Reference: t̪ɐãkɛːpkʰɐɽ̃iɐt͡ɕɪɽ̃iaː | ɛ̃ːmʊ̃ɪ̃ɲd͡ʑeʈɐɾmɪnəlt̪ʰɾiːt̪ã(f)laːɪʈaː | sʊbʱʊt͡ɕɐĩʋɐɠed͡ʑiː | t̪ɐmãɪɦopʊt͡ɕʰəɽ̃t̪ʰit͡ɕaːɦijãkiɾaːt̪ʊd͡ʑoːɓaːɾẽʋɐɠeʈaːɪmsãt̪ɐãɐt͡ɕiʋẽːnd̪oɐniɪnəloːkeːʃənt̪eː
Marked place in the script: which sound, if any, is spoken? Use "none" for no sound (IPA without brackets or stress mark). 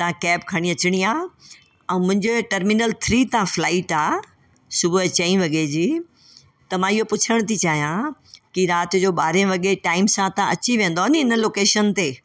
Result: f